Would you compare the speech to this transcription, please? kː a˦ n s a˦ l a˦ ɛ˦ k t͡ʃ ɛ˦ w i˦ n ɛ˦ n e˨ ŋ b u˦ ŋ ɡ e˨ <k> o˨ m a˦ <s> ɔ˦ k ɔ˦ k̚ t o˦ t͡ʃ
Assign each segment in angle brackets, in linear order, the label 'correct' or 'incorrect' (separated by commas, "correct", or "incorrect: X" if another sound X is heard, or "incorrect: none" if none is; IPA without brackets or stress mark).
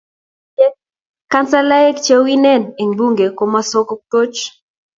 correct, correct